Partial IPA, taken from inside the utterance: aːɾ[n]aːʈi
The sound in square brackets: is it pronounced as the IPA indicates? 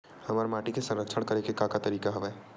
no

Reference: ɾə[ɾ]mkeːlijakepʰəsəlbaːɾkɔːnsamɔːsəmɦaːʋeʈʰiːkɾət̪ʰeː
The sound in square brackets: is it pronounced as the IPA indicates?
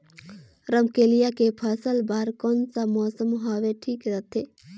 no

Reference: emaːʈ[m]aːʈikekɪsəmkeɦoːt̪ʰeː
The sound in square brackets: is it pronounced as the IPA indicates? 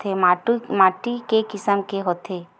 yes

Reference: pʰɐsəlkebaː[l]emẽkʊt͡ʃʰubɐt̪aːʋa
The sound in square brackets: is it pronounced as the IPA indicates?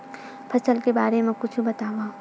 no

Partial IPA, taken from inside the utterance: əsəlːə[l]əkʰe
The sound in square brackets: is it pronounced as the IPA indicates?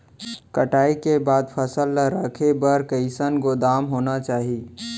no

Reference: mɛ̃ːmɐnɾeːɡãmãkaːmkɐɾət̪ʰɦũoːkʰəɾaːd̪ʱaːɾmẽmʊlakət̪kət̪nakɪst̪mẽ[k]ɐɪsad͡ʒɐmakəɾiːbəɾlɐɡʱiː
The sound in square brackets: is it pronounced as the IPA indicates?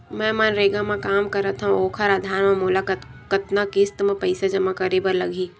no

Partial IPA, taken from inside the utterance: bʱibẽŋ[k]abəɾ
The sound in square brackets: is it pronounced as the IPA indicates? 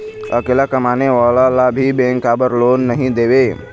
yes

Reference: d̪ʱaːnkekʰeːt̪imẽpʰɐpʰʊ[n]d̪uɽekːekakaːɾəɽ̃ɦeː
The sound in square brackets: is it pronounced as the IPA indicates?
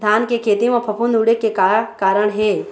yes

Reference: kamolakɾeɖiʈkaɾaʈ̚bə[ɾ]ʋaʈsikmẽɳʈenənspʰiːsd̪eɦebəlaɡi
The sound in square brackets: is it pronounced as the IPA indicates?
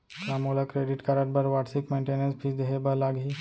yes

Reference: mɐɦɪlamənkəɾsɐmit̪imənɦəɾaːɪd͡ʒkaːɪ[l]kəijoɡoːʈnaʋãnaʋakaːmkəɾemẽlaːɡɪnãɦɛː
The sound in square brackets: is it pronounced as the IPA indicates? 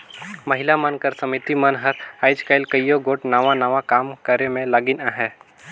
yes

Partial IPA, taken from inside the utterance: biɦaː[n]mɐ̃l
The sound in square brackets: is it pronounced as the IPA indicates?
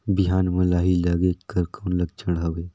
yes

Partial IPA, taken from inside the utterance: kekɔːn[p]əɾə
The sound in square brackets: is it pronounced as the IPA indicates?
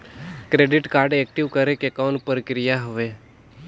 yes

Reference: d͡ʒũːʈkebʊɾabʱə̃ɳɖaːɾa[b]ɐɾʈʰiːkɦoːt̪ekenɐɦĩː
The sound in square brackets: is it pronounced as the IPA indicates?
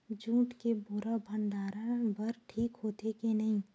yes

